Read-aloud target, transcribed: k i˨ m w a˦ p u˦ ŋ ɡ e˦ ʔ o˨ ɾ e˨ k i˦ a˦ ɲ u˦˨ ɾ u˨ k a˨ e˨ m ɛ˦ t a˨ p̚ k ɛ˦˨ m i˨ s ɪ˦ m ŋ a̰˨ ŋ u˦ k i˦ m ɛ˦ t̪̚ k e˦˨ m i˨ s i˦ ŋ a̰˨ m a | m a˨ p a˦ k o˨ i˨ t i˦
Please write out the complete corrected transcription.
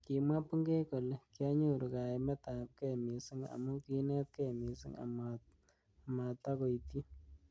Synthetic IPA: k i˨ m w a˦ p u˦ ŋ ɡ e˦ k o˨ l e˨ k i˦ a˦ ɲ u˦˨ ɾ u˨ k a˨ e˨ m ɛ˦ t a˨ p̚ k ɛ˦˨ m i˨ s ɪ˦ ŋ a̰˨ m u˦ k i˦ n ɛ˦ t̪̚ k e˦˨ m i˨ s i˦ ŋ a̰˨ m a | m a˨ t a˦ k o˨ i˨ t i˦